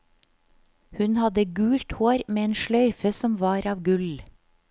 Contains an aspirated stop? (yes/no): no